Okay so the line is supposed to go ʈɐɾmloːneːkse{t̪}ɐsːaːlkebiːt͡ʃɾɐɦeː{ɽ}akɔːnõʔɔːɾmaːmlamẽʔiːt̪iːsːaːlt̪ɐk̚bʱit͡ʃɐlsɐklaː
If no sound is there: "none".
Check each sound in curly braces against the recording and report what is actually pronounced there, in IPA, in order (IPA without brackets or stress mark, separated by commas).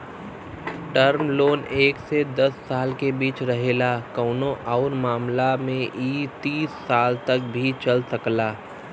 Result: d̪, l